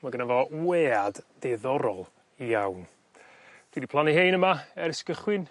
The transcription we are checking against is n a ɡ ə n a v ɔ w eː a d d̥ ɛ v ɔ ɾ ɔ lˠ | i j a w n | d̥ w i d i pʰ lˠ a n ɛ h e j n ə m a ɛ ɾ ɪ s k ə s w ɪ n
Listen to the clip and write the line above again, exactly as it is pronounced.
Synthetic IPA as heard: m a ɡ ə n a v ɔ w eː a d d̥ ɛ ð ɔ ɾ ɔ lˠ | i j a w n | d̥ w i d i pʰ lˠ a n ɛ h e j n ə m a ɛ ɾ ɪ s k ə χ w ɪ n